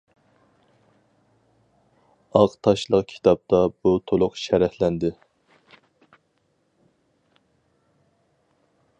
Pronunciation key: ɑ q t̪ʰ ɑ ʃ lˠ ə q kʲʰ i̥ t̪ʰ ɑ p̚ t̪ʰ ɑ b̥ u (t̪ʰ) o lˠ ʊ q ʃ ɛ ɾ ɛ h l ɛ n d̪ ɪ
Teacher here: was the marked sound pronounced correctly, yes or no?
yes